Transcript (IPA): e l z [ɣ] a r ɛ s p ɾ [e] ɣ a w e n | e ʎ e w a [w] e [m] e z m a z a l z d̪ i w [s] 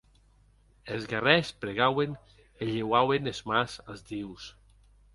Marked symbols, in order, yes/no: yes, yes, yes, no, yes

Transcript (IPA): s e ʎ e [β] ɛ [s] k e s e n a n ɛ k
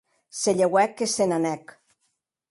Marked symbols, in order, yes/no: no, no

